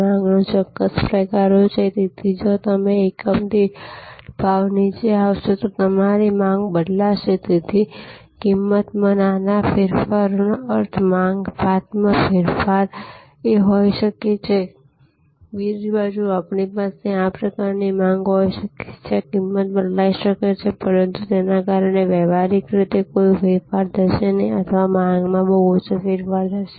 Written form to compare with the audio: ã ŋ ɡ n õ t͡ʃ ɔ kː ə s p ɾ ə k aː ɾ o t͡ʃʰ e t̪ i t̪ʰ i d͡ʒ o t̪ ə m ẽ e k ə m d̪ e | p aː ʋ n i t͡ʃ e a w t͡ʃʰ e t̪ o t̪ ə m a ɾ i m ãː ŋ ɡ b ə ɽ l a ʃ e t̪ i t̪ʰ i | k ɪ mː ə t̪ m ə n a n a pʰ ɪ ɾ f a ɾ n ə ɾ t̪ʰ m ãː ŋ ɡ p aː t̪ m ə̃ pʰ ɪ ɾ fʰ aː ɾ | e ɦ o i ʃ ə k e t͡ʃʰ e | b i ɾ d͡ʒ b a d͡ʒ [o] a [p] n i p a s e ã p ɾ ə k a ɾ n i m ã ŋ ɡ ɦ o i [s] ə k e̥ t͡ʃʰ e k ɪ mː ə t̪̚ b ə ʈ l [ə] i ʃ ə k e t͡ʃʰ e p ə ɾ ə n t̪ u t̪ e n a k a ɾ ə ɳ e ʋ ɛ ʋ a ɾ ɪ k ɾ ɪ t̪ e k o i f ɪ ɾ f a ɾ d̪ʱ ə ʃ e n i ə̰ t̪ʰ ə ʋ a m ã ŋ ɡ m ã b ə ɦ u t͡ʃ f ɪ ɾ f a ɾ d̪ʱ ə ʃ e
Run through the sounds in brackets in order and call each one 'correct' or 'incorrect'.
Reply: incorrect: u, correct, incorrect: ʃ, incorrect: a

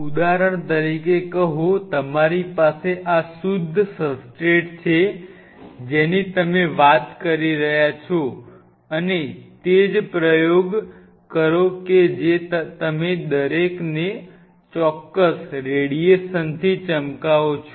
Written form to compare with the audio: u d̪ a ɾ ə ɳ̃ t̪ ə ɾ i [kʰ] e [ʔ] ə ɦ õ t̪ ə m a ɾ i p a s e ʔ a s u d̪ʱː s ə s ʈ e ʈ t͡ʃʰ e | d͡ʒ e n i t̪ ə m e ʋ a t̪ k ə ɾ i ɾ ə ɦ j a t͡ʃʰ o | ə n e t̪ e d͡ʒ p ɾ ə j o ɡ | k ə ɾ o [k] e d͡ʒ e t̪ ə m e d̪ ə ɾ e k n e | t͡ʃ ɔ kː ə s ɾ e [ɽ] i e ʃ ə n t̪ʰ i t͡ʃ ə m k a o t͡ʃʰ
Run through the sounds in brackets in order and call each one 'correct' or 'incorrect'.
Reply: incorrect: k, incorrect: k, correct, correct

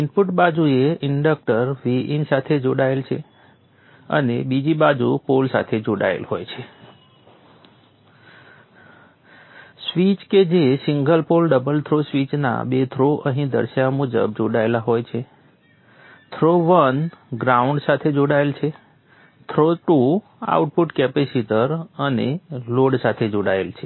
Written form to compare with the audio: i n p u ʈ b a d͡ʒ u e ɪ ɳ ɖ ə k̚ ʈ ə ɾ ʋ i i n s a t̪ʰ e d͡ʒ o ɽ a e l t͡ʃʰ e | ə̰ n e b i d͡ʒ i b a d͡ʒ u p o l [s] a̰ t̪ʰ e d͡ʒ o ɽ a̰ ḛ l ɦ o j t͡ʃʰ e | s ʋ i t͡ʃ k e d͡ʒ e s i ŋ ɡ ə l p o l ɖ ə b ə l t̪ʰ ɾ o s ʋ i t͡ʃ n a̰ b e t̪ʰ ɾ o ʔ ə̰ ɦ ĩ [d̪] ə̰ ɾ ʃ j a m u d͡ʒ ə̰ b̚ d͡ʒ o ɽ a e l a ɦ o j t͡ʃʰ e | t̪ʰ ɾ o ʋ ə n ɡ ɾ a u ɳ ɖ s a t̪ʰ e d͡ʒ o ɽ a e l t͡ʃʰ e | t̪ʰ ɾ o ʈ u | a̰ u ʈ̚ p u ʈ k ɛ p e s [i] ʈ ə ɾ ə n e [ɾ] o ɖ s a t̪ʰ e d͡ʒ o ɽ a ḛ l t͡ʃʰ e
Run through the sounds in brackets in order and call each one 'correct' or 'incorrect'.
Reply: correct, correct, correct, incorrect: l

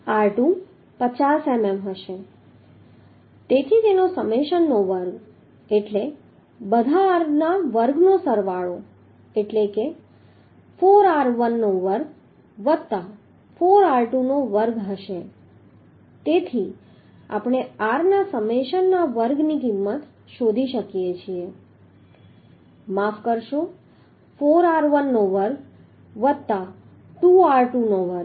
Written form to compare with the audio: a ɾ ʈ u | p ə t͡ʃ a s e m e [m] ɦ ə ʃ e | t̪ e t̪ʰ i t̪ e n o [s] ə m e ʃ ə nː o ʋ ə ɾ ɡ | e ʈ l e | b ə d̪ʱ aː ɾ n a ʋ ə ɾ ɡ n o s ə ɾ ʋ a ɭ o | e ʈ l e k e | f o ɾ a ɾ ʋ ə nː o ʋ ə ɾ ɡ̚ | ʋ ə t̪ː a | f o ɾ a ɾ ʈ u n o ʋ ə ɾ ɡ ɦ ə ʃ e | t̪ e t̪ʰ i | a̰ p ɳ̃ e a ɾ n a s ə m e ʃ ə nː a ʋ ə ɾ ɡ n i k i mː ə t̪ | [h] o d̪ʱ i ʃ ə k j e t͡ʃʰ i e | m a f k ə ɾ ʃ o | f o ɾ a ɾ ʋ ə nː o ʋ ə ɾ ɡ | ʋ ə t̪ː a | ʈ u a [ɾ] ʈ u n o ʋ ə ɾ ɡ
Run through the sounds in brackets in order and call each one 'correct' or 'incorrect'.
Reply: correct, correct, incorrect: ʃ, correct

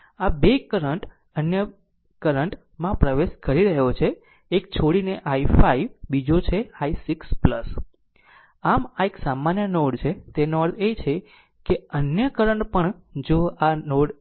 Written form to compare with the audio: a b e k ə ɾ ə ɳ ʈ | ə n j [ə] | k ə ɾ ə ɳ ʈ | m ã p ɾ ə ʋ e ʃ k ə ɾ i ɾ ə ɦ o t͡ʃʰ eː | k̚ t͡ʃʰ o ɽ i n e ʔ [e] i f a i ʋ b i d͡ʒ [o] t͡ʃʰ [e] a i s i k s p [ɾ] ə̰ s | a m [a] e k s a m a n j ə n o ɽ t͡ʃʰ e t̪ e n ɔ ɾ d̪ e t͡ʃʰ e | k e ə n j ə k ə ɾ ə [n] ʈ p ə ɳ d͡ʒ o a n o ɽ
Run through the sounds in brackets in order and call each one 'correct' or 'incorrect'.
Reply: correct, incorrect: a, correct, correct, incorrect: l, correct, incorrect: ɳ

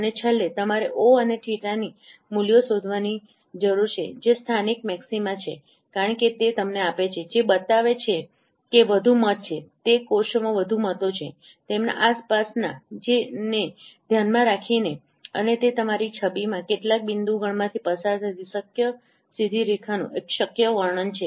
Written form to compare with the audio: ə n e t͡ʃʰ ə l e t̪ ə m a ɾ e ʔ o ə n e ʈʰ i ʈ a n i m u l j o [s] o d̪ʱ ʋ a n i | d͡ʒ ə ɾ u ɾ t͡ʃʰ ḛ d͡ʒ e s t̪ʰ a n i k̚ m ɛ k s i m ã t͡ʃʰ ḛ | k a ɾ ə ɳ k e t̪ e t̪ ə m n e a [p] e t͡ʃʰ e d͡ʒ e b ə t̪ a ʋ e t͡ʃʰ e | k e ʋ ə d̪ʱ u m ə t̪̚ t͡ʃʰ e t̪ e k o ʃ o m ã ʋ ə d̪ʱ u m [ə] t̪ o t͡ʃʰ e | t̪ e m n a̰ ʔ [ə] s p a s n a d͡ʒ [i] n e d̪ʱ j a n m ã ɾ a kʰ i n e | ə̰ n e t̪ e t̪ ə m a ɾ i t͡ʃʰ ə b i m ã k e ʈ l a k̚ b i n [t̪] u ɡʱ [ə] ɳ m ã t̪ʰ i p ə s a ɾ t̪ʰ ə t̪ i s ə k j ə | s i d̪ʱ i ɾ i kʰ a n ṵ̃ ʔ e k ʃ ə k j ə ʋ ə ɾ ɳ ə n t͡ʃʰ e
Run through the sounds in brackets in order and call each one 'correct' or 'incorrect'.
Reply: correct, correct, correct, incorrect: a, incorrect: e, incorrect: d̪, correct

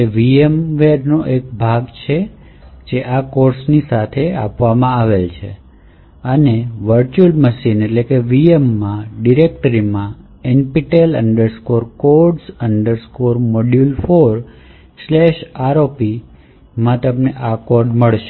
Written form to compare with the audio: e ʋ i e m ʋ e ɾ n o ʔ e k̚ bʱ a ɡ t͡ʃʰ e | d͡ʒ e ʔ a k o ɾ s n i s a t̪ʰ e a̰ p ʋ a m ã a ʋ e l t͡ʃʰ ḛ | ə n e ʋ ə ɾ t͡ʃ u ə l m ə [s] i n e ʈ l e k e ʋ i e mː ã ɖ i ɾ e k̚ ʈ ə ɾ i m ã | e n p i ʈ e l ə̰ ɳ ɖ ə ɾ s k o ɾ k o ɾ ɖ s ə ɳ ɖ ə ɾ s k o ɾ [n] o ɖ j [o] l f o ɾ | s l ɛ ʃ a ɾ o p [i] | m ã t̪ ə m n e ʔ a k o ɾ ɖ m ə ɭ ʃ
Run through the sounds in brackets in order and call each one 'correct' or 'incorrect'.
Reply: incorrect: ʃ, incorrect: m, incorrect: u, correct

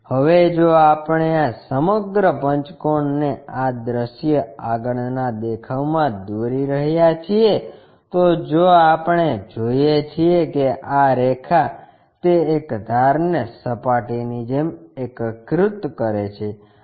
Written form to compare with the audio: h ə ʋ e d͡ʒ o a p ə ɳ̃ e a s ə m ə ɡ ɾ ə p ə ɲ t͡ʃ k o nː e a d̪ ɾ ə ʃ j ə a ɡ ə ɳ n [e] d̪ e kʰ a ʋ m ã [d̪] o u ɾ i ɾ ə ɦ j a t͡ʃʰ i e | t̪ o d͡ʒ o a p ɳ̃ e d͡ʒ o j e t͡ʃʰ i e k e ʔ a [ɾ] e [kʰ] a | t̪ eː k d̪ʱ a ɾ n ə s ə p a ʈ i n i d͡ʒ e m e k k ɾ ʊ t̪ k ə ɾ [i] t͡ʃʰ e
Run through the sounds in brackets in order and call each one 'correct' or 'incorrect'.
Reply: incorrect: a, correct, correct, correct, incorrect: e

